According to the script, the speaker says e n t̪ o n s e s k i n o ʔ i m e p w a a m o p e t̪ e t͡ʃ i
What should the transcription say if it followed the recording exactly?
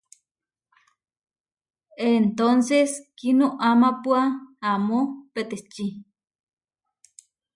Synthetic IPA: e n t̪ o n s e s k i n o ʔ a m a p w a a m o p e t̪ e t͡ʃ i